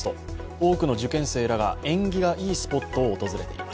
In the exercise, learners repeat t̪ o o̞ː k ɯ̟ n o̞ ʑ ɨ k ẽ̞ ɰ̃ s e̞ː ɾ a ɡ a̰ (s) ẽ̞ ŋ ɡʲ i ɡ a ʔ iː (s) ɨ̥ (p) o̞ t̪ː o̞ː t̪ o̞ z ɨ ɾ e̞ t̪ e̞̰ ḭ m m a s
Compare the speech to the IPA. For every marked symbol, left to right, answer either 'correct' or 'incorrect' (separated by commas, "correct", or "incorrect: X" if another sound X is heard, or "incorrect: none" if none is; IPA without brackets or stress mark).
incorrect: none, correct, correct